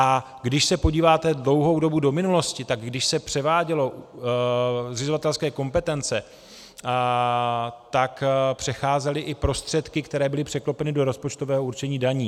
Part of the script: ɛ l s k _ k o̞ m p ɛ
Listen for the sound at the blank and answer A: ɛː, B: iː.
A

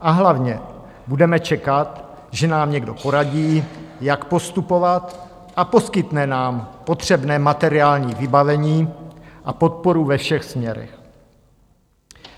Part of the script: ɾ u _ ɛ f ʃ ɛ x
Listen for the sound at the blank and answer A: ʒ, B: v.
B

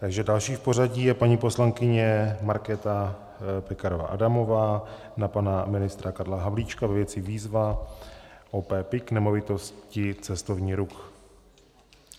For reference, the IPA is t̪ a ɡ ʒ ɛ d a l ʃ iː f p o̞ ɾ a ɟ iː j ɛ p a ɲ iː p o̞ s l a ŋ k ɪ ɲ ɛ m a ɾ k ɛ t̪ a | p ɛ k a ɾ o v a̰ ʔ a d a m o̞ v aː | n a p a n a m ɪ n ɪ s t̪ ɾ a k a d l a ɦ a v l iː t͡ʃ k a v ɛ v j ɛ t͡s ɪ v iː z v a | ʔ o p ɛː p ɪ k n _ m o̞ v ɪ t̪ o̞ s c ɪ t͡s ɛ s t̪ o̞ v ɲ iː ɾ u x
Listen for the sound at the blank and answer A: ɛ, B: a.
A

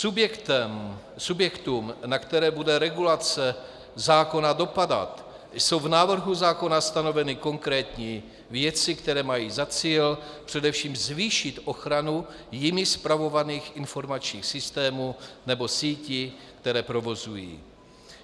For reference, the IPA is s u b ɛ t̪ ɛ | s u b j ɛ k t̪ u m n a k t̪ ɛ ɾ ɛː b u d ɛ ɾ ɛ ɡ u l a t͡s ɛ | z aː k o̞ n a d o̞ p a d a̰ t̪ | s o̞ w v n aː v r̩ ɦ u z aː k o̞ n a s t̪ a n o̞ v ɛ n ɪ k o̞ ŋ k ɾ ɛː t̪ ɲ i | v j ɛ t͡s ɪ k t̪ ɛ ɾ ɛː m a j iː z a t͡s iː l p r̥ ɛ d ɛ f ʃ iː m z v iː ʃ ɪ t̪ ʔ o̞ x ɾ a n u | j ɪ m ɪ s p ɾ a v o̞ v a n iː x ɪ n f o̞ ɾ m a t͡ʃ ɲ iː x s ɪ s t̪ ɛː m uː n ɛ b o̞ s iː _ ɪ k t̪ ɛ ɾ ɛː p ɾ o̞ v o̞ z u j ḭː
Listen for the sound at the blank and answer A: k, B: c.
B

